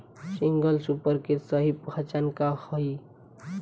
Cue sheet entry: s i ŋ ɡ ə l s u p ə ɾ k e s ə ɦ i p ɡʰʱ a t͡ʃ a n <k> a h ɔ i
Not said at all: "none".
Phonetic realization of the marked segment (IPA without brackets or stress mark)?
k